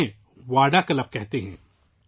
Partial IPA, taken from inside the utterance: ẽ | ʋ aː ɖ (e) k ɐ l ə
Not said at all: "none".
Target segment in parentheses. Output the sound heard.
a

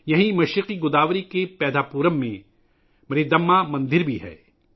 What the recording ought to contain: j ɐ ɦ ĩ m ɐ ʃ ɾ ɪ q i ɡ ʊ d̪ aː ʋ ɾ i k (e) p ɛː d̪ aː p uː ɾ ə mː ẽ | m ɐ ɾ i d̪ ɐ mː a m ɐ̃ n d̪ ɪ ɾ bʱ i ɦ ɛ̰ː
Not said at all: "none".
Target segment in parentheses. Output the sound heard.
e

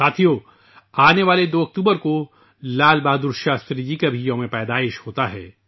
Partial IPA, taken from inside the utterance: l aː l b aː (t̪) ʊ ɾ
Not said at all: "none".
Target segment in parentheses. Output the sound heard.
d̪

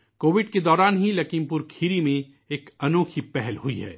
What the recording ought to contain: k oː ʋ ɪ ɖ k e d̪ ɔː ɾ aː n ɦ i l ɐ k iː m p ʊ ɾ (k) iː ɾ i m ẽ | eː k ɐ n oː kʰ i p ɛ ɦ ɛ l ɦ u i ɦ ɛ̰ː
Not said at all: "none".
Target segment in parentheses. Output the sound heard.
kʰ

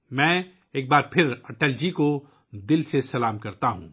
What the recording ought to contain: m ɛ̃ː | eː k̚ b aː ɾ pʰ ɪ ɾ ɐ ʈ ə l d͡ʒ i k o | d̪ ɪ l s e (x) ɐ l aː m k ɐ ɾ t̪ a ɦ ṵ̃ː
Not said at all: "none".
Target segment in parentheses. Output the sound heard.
s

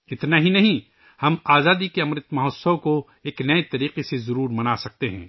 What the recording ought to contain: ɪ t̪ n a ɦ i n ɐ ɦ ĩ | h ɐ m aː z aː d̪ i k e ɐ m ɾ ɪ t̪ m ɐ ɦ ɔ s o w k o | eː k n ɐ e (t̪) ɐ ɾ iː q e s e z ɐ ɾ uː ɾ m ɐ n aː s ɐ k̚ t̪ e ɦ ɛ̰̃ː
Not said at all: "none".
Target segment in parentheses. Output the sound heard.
t̪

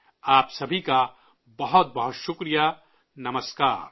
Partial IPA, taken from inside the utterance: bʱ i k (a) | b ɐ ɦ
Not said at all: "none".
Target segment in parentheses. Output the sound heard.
a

